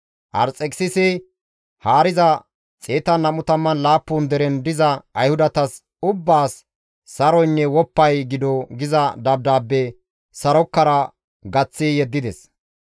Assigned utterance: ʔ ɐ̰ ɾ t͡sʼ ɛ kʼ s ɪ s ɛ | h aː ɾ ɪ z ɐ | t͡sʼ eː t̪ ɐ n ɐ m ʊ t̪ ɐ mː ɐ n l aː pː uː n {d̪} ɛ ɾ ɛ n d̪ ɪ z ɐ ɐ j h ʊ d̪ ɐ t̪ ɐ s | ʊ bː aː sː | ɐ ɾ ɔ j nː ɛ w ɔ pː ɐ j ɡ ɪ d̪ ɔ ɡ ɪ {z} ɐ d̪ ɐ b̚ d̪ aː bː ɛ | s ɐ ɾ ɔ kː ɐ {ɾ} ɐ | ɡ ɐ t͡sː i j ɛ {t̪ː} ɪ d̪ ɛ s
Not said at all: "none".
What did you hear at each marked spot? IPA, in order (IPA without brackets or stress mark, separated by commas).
d̪, z, ɾ, d̪ː